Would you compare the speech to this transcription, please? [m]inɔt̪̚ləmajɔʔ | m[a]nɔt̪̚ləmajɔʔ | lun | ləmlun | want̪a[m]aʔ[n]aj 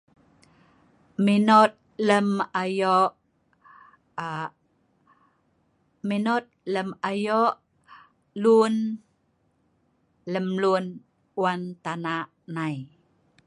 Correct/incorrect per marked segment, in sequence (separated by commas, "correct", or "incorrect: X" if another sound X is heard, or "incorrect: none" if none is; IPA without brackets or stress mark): correct, incorrect: i, incorrect: n, correct